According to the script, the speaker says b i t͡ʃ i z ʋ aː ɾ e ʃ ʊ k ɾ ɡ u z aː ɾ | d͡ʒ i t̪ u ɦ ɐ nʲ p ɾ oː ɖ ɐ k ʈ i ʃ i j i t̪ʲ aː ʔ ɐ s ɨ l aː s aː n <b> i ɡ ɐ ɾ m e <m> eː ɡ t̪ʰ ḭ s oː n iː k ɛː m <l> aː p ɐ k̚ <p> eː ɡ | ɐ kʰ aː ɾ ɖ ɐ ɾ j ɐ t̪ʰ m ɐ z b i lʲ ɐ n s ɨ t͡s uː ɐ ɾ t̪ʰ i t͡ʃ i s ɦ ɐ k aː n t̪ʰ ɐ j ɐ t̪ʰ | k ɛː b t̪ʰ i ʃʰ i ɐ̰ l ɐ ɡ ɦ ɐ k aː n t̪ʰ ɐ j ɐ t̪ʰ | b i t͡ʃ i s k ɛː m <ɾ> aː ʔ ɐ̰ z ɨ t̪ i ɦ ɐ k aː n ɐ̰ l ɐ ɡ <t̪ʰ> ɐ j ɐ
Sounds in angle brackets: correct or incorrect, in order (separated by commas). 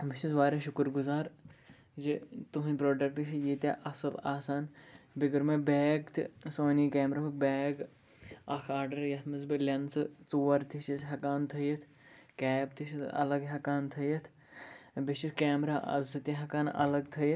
correct, incorrect, incorrect, incorrect, correct, correct